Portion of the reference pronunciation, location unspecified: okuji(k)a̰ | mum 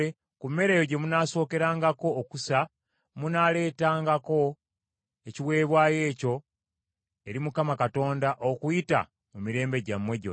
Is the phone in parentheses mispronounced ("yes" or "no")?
yes